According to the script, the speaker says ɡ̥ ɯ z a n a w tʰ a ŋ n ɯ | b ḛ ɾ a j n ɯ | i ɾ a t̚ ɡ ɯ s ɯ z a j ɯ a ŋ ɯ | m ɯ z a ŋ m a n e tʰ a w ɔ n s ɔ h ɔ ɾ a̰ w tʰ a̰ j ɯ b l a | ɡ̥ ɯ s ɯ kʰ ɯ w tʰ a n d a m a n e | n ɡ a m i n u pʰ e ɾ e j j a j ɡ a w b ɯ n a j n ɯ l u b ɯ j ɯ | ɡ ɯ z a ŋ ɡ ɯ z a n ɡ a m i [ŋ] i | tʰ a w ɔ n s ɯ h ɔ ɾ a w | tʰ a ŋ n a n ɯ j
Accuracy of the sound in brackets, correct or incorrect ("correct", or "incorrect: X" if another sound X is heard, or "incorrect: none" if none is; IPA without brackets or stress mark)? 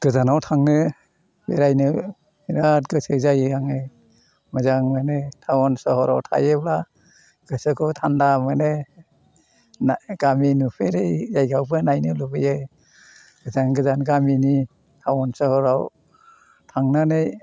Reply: incorrect: n